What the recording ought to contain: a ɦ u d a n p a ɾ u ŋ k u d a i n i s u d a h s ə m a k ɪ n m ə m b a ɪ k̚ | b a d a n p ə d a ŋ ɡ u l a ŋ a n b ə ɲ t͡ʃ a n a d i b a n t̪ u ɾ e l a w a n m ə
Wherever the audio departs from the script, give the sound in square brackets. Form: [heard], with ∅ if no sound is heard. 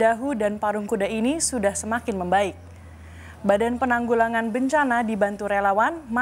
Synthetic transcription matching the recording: a ɦ u d a n p a ɾ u ŋ k u d a i n i s u d a h s ə m a k ɪ n m ə m b a ɪ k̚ | b a d a n p ə [n] a ŋ ɡ u l a ŋ a n b ə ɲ t͡ʃ a n a d i b a n t̪ u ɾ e l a w a n m [a]